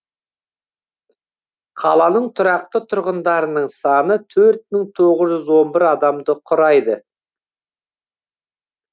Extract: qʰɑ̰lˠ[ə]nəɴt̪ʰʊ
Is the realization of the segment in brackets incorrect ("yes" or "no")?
yes